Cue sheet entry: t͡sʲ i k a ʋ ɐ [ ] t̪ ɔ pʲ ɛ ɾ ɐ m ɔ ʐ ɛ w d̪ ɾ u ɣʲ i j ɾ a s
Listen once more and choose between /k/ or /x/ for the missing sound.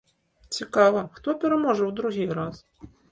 x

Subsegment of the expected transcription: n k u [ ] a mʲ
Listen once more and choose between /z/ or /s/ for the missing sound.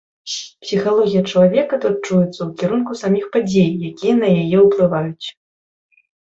s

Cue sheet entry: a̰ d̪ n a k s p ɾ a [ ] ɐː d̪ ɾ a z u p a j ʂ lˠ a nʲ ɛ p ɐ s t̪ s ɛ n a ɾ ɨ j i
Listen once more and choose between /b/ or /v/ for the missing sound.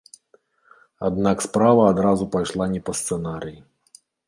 v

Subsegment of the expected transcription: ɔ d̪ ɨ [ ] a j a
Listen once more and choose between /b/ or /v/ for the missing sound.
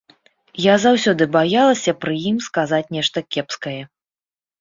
b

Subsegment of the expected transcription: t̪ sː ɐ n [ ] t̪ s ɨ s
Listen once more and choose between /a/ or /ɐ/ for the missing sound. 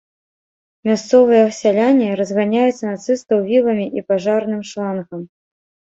a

